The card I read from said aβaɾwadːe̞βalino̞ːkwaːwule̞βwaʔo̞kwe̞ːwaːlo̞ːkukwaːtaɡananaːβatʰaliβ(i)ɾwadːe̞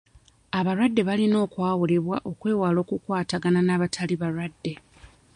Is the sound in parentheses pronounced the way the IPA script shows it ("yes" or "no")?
no